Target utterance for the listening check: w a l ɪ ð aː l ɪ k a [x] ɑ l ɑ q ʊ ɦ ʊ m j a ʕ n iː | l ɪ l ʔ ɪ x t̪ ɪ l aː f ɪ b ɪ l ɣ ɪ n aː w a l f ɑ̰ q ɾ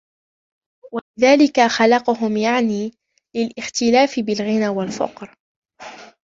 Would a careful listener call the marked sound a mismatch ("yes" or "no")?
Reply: no